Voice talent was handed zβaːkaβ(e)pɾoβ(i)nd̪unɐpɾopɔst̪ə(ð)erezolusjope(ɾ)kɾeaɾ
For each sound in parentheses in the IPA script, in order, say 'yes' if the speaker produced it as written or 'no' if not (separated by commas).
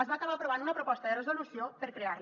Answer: no, no, yes, yes